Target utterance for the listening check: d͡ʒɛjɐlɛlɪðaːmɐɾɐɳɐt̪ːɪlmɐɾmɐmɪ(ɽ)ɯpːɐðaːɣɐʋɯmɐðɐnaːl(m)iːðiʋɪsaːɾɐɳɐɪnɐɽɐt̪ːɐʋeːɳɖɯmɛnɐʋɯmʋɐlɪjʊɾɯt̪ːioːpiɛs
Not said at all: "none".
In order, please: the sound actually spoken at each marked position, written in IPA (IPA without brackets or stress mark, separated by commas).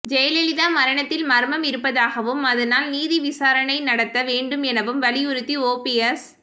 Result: ɾ, n